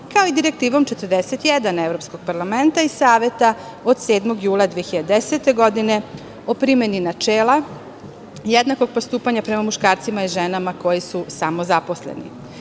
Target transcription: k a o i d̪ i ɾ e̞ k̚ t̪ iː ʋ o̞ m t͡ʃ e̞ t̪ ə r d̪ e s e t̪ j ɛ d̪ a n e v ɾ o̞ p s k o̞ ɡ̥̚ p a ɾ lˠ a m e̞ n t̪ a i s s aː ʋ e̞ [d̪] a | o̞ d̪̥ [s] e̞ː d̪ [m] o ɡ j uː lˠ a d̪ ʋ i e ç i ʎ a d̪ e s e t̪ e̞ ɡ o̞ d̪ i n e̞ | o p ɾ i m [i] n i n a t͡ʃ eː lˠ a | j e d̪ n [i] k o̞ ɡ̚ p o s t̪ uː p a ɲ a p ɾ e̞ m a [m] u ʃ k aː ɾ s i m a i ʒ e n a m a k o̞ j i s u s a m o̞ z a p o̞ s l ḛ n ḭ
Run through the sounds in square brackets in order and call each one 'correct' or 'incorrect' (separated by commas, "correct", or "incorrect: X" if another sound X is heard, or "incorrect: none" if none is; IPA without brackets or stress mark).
incorrect: t̪, correct, correct, incorrect: e, incorrect: a, correct